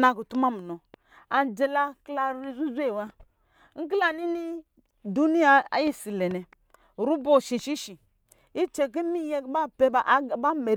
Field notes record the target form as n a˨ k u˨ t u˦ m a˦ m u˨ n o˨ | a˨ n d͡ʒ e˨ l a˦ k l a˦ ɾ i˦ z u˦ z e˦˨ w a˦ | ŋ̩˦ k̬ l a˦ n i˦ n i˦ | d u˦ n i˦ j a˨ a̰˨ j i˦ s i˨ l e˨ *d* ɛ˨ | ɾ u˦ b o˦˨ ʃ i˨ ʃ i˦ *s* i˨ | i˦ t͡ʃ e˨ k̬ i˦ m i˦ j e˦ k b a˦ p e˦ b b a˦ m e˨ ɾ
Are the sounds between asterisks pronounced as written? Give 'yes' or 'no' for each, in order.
no, no

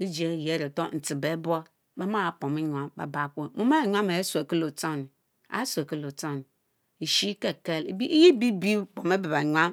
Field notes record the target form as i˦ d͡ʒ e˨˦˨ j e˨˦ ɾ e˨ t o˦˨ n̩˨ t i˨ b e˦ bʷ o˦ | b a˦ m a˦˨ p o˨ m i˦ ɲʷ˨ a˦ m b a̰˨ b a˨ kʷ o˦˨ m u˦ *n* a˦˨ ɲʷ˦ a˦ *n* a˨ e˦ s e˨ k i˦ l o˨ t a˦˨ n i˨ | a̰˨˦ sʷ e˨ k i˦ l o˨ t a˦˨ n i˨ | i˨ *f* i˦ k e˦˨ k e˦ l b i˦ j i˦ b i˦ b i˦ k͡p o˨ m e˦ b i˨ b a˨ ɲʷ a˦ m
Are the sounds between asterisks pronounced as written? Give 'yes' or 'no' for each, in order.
no, no, no

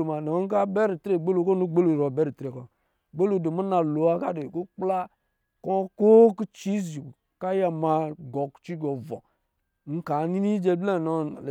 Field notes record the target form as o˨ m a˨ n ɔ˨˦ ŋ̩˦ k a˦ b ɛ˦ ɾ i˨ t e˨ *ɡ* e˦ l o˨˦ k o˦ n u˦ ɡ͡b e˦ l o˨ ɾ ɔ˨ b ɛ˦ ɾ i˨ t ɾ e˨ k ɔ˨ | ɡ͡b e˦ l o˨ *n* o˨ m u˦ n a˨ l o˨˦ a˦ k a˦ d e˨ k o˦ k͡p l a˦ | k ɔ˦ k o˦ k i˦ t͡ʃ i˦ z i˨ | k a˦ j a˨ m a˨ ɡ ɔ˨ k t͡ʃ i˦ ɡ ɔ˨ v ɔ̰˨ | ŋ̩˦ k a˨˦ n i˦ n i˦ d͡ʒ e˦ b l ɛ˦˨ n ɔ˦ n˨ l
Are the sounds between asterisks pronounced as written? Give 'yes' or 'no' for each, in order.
no, no

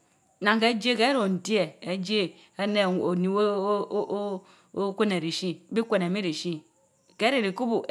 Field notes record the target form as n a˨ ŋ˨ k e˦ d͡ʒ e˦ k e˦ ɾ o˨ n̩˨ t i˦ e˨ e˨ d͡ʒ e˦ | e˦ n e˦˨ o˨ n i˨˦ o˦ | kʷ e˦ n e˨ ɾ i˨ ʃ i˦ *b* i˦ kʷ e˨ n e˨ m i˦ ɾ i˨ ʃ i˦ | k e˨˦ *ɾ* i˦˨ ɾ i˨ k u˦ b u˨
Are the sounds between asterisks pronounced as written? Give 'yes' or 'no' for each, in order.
yes, yes

